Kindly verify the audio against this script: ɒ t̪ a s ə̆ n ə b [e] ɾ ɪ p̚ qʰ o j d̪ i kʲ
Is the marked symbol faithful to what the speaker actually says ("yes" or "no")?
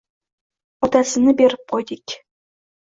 yes